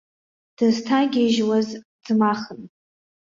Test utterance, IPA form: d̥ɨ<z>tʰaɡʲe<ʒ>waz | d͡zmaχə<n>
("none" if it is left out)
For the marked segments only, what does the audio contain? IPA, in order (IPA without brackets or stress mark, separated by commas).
z, ʒ, n